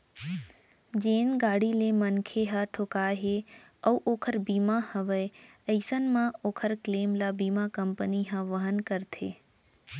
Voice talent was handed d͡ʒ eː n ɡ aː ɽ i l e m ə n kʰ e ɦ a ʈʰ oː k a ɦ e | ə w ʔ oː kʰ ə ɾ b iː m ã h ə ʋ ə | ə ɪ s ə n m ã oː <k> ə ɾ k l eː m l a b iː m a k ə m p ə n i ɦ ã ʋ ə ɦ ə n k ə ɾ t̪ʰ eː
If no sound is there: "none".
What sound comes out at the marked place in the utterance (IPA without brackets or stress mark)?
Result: kʰ